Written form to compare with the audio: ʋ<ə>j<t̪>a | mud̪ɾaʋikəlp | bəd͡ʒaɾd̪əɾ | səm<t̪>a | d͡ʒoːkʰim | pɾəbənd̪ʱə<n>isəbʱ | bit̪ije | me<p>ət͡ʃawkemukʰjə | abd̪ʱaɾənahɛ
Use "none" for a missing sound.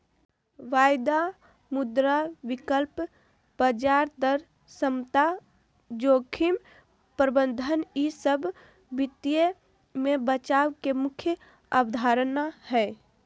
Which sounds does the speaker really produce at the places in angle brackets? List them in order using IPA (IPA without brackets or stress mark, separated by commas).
a, d̪, t̪, n, b